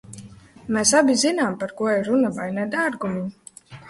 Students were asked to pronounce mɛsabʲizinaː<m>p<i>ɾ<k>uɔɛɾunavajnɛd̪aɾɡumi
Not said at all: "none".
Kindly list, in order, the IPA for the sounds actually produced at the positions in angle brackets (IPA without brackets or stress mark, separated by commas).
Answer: m, a, k